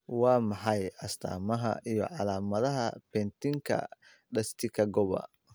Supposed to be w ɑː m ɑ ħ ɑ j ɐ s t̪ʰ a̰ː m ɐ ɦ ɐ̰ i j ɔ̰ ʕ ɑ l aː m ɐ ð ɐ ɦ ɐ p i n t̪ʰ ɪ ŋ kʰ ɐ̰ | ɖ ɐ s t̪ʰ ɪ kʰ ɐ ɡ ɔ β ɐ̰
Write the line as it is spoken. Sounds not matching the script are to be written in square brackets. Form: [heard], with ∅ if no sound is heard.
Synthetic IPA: w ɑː m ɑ ħ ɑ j ɐ s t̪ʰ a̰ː m ɐ ɦ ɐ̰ i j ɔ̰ ʕ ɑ l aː m ɐ ð ɐ ɦ ɐ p [ɛ] n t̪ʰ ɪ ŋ kʰ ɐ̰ | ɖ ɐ s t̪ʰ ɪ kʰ ɐ ɡ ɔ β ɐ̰